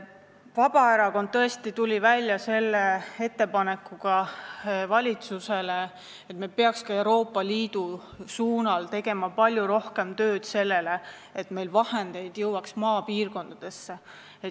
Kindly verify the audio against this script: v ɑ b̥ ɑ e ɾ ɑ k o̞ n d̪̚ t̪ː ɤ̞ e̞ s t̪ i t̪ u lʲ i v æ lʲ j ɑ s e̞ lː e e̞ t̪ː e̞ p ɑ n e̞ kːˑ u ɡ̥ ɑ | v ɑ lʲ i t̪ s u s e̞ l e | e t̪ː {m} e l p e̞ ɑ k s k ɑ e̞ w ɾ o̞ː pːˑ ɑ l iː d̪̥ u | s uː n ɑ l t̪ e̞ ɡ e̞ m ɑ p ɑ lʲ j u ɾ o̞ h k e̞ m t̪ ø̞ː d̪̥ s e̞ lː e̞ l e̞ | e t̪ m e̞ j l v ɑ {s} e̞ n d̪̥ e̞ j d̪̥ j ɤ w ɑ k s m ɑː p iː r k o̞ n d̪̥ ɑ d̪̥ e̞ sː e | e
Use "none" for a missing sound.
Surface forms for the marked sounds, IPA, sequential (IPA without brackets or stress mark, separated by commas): m, h